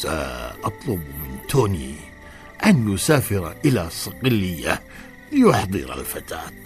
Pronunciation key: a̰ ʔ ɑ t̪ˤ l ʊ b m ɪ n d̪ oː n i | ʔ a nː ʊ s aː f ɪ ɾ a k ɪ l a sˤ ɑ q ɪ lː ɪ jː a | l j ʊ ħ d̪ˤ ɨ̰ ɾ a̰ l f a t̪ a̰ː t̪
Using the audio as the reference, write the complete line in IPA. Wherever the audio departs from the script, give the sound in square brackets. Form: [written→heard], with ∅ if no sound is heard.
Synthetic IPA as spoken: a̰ ʔ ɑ t̪ˤ l ʊ b m ɪ n [d̪→t̪] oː n i | ʔ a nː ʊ s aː f ɪ ɾ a [k→ʔ] ɪ l a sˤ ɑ q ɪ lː ɪ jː a | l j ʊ ħ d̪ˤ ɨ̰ ɾ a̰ l f a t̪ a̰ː t̪